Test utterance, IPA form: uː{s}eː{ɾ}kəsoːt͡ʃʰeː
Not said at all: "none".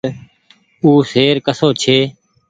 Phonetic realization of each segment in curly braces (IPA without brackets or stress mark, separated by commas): s, ɾ